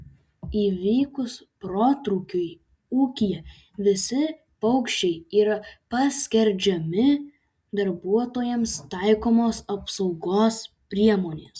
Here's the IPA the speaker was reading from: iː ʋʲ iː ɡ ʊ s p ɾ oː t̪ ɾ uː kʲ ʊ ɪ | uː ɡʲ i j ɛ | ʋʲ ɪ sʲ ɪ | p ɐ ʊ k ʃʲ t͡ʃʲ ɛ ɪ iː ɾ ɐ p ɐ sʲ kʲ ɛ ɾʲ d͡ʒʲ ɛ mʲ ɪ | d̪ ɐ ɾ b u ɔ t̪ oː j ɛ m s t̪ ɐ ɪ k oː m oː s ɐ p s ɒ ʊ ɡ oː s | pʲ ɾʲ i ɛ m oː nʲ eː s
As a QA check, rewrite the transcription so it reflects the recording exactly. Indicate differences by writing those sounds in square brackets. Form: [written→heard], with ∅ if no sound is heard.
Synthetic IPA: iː ʋʲ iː [ɡ→k] ʊ s p ɾ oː t̪ ɾ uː kʲ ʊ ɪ | uː [ɡʲ→kʲ] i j ɛ | ʋʲ ɪ sʲ ɪ | p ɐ ʊ k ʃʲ t͡ʃʲ ɛ ɪ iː ɾ ɐ p ɐ sʲ kʲ ɛ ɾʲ d͡ʒʲ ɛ mʲ ɪ | d̪ ɐ ɾ b u ɔ t̪ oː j ɛ m s t̪ ɐ ɪ k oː m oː s ɐ p s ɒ ʊ ɡ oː s | pʲ ɾʲ i ɛ m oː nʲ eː s